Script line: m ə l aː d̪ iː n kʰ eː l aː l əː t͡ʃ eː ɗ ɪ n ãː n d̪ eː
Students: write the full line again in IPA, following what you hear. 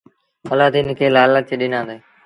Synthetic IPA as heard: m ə l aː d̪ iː n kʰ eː l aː l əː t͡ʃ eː ɗ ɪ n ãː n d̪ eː